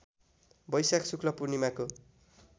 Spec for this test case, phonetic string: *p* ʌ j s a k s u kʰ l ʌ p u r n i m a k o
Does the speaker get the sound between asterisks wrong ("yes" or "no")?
yes